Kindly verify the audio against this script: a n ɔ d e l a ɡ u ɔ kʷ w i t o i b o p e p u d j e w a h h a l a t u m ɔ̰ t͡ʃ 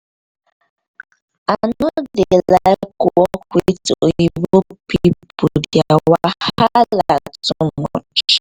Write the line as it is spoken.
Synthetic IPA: a n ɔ d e l a k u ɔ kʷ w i t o i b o p i p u d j a w a h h a l a t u m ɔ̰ t͡ʃ